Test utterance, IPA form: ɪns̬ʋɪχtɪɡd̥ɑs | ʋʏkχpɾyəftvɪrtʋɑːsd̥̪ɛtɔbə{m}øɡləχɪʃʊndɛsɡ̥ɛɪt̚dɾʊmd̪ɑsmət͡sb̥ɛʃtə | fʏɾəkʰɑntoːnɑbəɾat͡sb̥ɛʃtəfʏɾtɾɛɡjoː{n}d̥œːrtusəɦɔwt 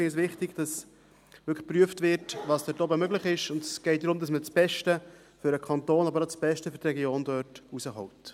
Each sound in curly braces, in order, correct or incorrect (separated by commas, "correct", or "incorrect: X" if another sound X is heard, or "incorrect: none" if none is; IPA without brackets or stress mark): correct, correct